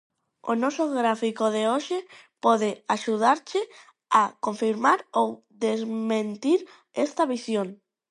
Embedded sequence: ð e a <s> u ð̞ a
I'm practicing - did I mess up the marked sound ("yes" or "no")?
yes